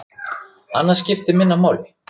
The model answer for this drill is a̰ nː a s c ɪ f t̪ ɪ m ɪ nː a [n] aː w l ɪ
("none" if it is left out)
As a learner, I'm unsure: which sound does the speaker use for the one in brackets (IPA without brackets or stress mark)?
m